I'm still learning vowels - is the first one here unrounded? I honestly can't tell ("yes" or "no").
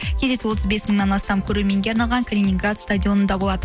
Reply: yes